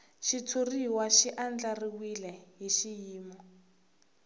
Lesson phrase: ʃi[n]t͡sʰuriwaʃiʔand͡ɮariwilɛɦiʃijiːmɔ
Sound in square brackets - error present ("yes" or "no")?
yes